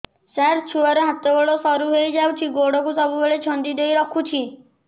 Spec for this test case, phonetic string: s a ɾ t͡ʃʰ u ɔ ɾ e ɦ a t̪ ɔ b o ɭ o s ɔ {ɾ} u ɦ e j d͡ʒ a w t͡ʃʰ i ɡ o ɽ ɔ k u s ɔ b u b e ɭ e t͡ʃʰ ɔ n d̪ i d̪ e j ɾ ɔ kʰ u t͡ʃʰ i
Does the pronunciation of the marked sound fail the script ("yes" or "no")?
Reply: no